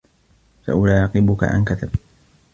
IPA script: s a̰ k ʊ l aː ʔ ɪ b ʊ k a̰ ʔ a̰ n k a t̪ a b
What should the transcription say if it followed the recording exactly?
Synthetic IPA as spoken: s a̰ ʔ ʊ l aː q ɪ b ʊ k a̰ ʔ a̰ n k a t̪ a b